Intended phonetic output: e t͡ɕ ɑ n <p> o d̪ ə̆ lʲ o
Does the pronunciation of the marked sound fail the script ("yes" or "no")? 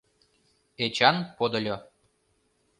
no